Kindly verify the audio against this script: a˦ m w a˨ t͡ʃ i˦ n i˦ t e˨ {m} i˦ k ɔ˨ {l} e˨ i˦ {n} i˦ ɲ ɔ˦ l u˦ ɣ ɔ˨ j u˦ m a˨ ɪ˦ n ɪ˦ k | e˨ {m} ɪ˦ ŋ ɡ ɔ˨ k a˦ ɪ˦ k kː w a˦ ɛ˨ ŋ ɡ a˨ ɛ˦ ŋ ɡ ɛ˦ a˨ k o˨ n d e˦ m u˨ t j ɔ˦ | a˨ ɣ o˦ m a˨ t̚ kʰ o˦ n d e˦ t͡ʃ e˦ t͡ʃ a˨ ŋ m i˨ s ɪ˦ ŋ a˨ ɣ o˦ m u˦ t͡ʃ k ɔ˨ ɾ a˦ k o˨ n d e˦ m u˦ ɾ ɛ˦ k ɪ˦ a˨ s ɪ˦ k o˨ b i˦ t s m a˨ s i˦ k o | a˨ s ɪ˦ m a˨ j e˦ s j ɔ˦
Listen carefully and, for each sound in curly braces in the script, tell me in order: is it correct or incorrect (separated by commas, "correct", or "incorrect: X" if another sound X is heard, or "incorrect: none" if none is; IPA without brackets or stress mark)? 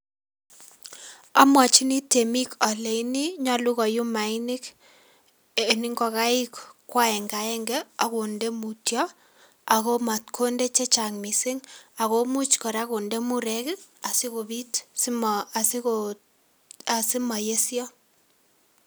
correct, correct, correct, incorrect: n